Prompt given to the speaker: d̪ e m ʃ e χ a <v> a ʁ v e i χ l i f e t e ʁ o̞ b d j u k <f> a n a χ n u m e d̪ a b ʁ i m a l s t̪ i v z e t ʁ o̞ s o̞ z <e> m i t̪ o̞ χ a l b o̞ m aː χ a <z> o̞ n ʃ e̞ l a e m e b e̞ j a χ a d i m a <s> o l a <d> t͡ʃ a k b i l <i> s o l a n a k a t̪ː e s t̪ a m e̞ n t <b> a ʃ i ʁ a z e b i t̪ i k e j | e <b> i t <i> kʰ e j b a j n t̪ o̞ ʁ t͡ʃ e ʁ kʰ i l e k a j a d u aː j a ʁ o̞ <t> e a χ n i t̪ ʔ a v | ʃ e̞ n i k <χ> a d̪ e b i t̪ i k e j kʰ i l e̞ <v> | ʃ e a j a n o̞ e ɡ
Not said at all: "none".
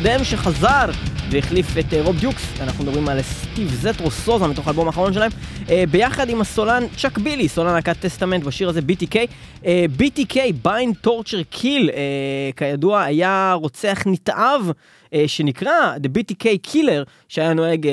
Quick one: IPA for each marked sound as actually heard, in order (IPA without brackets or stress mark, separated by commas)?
z, s, a, ʁ, s, n, i, b, b, i, t͡s, ʁ, ʁ